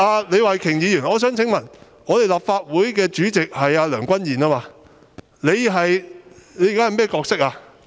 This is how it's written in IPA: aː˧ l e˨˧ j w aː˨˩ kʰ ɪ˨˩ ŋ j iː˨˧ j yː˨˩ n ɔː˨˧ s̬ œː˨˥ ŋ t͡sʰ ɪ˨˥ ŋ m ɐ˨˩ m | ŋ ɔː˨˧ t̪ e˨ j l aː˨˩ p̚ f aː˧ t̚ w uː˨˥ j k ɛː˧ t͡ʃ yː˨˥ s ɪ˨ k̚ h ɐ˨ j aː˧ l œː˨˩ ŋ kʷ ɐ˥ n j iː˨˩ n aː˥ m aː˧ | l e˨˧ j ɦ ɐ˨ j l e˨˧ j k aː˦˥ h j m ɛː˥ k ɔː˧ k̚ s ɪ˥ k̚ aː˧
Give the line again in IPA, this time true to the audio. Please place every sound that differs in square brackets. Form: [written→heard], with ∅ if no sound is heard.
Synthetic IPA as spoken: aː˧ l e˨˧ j w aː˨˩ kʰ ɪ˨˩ ŋ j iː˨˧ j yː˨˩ n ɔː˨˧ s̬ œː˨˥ ŋ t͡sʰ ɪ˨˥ ŋ m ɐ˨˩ [m→n] | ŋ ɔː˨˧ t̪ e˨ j l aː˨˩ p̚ f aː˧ t̚ w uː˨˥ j k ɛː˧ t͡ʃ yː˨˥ [s→t͡s] ɪ˨ k̚ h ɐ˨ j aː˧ l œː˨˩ ŋ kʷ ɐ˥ n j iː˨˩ n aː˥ m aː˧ | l e˨˧ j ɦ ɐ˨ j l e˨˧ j k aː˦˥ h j m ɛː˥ k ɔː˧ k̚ s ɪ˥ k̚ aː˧